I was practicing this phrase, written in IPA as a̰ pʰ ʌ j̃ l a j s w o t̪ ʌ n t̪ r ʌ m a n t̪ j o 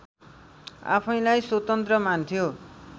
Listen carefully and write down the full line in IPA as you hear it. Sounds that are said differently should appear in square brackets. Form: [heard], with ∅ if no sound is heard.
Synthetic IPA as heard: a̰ pʰ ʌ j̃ l a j s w o t̪ ʌ n t̪ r ʌ m a n [t̪ʰ] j o

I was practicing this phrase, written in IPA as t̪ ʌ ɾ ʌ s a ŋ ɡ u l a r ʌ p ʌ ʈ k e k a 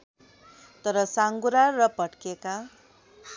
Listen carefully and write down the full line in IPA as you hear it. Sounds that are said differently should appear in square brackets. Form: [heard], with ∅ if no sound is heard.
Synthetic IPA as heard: t̪ ʌ ɾ ʌ s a ŋ ɡ u [ɾ] a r ʌ p ʌ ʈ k e k a

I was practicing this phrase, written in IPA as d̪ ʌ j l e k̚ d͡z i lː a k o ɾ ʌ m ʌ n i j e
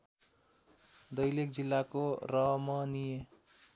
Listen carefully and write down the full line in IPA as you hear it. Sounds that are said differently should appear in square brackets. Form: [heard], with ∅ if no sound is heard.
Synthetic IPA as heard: d̪ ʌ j l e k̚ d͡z i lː a k o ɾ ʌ m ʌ n i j e

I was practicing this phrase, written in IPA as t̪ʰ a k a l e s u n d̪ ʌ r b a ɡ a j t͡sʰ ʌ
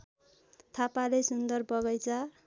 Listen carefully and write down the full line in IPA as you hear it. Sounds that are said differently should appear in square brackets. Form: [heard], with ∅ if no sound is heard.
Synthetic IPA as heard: t̪ʰ a [p] a l e s u n d̪ ʌ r b [ʌ] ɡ [ʌ] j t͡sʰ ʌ

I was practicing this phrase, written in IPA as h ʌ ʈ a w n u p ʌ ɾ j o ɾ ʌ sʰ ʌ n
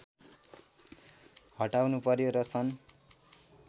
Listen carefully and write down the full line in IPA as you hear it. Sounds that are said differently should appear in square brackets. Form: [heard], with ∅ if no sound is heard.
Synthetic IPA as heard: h ʌ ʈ a w n u p ʌ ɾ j o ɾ ʌ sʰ ʌ n

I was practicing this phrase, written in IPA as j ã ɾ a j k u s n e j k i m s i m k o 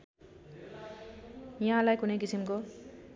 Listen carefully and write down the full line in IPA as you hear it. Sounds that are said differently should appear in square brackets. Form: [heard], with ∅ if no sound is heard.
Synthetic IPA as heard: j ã [l] a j k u [∅] n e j k i [∅] s i m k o

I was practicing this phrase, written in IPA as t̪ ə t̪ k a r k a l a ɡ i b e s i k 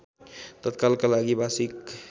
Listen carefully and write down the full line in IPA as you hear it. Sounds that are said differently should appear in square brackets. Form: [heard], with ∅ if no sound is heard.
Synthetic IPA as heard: t̪ ə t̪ k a [l] k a l a ɡ i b [a] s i k

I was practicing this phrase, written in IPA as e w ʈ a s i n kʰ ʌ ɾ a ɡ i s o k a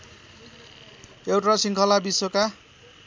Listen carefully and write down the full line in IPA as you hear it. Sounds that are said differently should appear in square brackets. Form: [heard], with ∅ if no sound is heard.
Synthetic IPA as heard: e w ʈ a s i [ŋ] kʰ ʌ [l] a [b] i s o k a

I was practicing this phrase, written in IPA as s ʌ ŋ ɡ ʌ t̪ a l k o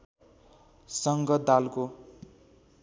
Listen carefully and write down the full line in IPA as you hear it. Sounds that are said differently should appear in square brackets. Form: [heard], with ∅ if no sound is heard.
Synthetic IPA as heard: s ʌ ŋ ɡ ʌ [d̪] a l k o

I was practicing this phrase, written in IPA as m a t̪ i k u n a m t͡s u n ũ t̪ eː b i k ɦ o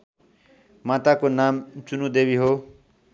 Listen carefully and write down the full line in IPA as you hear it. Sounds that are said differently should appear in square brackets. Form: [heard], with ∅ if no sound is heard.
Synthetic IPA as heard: m a t̪ [a] k [o] n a m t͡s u n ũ [d̪] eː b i [∅] ɦ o

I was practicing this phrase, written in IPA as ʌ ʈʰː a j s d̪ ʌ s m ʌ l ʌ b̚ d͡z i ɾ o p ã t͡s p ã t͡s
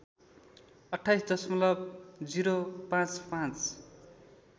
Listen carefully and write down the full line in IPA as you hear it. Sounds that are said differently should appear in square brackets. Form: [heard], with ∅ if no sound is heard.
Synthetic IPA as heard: ʌ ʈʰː a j s d̪ ʌ s m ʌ l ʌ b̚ d͡z i ɾ o p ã t͡s p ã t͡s

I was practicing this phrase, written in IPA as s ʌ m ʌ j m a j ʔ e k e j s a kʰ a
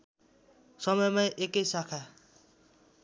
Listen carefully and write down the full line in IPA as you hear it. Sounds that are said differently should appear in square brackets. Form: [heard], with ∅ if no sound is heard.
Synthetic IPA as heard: s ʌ m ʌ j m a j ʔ e k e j s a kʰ a

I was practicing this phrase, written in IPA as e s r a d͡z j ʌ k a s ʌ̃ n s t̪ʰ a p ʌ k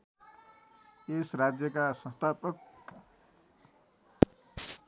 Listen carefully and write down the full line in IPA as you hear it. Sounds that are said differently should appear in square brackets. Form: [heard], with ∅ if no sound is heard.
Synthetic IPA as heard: e s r a d͡z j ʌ k a s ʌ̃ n s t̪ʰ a p ʌ k

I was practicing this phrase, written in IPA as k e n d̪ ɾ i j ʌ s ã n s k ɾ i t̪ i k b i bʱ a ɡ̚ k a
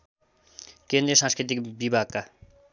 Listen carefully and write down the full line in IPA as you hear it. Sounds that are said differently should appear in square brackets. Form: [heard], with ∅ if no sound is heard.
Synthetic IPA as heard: k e n d̪ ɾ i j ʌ s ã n s k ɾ i t̪ i k b i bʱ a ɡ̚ k a

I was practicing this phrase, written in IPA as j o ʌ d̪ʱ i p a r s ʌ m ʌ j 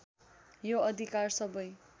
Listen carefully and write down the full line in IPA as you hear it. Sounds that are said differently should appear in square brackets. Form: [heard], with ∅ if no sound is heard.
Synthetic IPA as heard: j o ʌ d̪ʱ i [k] a r s ʌ [b] ʌ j

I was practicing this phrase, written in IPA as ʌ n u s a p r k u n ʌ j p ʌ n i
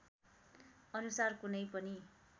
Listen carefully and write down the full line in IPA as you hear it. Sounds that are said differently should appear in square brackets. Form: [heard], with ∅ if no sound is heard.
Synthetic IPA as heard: ʌ n u s a [∅] r k u n ʌ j p ʌ n i

